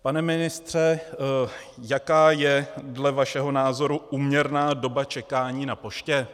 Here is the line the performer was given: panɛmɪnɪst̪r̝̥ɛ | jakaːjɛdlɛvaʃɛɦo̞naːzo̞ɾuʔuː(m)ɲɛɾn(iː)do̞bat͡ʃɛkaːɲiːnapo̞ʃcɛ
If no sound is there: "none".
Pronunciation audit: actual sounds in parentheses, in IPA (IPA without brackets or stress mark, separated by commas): m, aː